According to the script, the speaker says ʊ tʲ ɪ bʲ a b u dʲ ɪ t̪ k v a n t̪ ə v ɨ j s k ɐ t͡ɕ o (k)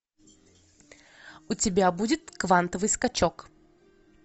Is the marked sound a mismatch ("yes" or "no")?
no